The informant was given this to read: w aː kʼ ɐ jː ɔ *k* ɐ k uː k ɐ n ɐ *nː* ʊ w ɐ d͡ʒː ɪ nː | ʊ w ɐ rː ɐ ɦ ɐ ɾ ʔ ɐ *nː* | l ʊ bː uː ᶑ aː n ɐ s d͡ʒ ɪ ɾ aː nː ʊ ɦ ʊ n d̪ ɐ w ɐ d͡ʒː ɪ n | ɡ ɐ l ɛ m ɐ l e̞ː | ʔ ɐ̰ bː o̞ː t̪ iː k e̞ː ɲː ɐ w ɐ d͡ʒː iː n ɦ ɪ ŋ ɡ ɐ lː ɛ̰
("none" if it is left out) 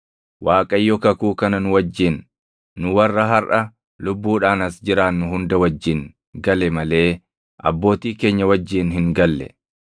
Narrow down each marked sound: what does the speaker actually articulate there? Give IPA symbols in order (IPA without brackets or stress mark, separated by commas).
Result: k, n, none